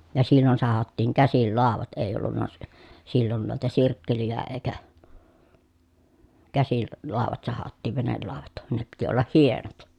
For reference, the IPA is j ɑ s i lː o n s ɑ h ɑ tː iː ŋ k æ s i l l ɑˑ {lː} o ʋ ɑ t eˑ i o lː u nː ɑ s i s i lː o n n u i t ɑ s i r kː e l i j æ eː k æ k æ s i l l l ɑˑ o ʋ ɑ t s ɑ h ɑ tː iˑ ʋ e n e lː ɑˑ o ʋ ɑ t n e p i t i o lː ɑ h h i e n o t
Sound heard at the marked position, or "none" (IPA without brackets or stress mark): none